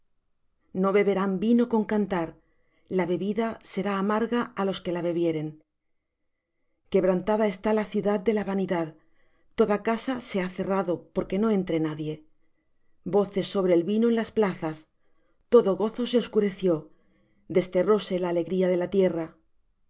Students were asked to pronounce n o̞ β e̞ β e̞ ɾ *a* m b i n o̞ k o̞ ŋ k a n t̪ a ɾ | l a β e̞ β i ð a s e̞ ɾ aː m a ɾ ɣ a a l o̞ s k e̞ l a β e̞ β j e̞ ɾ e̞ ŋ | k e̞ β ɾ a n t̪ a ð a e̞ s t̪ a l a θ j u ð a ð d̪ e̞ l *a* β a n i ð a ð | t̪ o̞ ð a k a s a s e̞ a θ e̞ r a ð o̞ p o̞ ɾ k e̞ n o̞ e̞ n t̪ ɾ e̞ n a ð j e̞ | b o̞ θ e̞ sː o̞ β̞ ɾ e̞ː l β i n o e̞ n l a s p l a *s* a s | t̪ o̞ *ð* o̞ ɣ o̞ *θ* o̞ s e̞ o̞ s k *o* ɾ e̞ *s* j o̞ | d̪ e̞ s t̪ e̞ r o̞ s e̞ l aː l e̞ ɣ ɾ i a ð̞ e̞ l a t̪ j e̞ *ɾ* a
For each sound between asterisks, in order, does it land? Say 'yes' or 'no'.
yes, yes, no, yes, yes, no, no, no

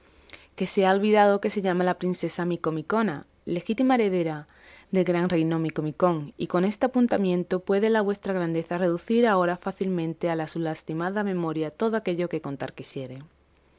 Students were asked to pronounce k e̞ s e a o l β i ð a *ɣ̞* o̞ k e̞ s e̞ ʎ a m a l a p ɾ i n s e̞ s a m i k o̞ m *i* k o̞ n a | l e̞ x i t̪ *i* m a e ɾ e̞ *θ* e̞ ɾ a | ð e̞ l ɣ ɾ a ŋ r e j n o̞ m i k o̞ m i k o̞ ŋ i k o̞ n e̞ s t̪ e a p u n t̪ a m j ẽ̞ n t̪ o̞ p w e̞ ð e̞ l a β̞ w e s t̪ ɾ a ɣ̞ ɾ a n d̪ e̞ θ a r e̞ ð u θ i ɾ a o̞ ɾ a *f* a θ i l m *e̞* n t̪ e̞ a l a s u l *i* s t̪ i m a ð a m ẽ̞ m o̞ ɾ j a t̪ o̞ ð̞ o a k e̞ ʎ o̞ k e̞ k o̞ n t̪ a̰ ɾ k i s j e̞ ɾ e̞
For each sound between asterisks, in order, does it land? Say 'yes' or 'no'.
no, yes, yes, no, yes, no, no

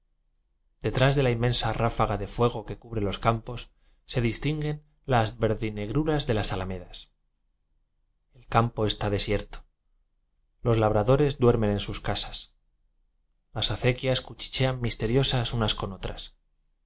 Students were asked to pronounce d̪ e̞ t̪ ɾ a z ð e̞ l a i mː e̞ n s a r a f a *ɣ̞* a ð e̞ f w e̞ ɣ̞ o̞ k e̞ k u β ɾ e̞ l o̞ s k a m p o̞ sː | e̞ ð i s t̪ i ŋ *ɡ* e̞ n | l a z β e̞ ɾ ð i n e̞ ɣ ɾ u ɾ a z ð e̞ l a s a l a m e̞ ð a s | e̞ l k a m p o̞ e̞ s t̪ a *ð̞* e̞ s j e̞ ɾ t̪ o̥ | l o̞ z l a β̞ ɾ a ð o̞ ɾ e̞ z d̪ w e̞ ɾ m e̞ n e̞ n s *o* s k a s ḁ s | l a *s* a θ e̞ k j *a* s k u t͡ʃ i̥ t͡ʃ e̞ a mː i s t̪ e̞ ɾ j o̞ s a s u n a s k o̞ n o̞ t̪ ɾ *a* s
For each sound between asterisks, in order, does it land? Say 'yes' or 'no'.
yes, yes, yes, no, yes, yes, yes

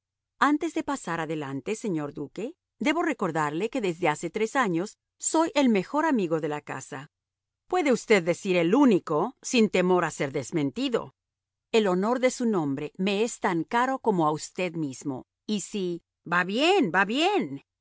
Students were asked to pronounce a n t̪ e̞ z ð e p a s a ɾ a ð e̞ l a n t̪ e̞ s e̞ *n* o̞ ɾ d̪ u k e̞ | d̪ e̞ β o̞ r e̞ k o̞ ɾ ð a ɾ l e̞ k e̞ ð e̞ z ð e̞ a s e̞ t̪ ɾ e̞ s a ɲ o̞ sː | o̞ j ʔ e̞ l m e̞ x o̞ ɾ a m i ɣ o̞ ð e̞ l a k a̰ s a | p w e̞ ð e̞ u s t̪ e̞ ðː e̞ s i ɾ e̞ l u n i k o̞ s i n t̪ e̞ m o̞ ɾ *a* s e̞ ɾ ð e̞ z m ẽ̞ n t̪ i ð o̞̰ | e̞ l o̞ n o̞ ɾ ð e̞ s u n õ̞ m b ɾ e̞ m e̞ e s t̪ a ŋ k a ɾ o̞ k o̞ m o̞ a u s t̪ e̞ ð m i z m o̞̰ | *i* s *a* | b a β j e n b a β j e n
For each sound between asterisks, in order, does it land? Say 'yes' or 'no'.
no, yes, yes, no

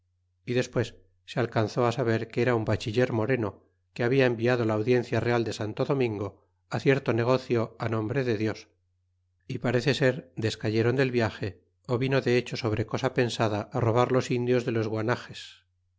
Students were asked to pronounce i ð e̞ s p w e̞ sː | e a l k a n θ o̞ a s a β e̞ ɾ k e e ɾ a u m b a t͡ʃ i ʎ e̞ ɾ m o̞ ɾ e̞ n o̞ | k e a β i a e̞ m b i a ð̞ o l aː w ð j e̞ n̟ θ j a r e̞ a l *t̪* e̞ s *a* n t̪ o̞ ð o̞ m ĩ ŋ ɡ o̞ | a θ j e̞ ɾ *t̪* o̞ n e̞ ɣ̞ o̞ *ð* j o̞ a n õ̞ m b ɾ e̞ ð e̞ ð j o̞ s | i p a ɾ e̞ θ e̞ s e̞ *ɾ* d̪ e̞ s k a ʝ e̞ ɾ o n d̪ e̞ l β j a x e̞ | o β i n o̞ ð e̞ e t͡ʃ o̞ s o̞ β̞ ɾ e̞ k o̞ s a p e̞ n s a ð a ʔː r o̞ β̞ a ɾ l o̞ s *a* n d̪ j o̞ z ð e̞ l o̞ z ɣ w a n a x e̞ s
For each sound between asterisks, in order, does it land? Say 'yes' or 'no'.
no, yes, yes, no, yes, no

